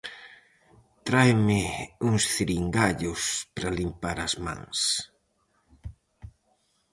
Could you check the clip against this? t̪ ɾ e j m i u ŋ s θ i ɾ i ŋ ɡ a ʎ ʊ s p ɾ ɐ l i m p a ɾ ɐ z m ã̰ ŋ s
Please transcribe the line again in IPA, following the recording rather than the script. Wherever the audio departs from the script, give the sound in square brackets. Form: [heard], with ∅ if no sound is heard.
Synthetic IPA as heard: t̪ ɾ [a] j m [ɪ] u ŋ s θ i ɾ i ŋ ɡ a ʎ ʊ s p ɾ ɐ l i m p a ɾ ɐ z m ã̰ ŋ s